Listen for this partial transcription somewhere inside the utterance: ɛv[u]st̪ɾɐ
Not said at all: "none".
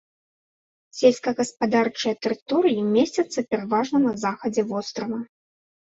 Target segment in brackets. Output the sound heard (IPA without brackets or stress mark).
ɔ